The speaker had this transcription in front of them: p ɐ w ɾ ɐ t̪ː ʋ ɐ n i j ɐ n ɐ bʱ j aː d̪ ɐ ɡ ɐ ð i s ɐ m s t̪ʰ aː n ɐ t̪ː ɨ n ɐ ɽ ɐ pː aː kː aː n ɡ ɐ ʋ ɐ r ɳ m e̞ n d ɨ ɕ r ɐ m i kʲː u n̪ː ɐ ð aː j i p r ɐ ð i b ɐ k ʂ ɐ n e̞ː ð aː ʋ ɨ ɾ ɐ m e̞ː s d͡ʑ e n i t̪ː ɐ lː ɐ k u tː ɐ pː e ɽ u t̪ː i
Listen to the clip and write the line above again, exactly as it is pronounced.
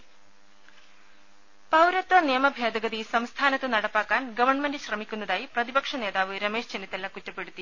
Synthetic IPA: p ɐ w ɾ ɐ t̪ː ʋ ɐ n i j ɐ m ɐ bʱ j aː d̪ ɐ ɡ ɐ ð i s ɐ m s t̪ʰ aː n ɐ t̪ː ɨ n ɐ ɽ ɐ pː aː kː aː n ɡ ɐ ʋ ɐ r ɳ m e̞ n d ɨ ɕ r ɐ m i kʲː u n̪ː ɐ ð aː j i p r ɐ ð i b ɐ k ʂ ɐ n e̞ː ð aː ʋ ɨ ɾ ɐ m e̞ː ʂ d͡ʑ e n i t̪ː ɐ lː ɐ k u tː ɐ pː e ɽ u t̪ː i